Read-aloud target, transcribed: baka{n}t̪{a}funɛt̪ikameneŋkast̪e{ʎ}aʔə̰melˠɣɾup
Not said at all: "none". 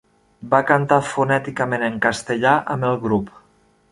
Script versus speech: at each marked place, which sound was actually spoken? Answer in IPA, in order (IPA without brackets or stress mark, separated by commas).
n, a, ʎ